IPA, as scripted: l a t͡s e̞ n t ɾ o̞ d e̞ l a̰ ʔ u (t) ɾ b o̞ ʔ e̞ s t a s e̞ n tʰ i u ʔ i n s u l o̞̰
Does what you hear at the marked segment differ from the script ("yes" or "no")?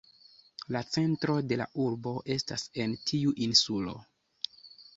yes